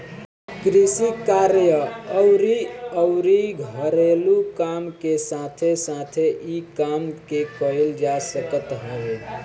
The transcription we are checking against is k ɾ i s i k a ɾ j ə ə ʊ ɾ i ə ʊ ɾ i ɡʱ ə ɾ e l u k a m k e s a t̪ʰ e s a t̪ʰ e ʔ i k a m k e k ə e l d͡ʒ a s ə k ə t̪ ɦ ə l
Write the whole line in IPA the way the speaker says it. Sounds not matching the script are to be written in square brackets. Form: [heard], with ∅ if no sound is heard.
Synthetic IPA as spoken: k ɾ i s i k a ɾ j ə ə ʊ ɾ i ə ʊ ɾ i ɡʱ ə ɾ e l u k a m k e s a t̪ʰ e s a t̪ʰ e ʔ i k a m k e k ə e l d͡ʒ a s ə k ə t̪ ɦ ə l